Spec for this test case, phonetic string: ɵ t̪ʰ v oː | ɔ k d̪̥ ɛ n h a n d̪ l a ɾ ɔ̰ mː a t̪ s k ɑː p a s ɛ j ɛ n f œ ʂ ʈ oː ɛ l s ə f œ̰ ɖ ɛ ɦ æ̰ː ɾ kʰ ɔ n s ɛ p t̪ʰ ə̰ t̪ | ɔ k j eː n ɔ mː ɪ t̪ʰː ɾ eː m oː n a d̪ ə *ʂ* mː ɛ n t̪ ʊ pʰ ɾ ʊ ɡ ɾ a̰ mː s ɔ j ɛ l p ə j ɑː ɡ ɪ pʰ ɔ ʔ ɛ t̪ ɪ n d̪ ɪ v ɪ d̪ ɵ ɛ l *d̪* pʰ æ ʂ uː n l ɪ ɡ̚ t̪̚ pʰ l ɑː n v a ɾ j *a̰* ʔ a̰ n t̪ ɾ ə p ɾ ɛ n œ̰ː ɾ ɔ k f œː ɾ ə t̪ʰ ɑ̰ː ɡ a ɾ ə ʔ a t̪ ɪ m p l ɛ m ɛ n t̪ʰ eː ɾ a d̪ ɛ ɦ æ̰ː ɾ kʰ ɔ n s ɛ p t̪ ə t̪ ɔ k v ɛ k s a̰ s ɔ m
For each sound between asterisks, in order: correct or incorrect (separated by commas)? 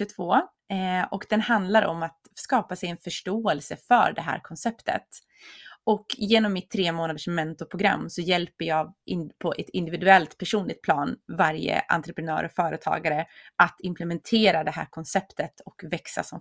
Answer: correct, incorrect, incorrect